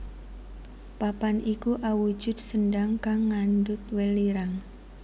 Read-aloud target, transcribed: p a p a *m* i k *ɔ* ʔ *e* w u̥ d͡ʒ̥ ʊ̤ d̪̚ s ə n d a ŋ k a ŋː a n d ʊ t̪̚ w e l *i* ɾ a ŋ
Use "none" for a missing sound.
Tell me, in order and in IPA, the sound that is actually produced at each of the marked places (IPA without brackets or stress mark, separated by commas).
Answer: n, u, a, i